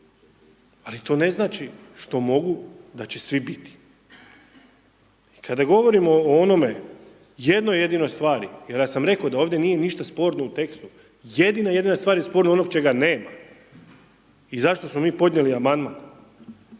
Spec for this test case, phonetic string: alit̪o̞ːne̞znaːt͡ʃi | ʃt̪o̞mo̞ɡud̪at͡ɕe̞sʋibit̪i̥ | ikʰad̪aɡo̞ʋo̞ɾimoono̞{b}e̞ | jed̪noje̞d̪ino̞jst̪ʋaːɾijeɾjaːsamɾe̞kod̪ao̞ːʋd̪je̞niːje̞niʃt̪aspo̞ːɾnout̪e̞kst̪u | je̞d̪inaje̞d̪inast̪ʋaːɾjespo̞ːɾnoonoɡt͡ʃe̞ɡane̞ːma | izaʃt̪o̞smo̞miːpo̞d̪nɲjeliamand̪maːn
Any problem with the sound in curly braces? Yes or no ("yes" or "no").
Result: yes